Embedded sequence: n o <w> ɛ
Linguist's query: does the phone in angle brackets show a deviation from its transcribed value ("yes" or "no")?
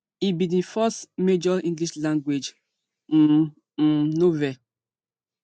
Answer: yes